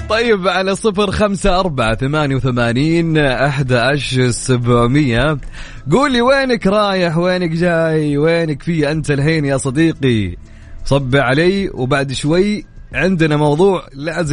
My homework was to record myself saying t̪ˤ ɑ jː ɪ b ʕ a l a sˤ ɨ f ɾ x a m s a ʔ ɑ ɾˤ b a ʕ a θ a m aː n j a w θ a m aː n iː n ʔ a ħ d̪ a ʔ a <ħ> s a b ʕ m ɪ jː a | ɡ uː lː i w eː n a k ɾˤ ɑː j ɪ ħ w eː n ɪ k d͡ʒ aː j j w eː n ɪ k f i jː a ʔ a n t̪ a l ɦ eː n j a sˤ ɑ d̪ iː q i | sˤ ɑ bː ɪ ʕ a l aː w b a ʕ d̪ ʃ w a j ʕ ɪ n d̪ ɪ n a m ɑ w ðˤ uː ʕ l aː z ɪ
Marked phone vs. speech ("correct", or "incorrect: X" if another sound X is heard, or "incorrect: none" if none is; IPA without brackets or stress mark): incorrect: ʃ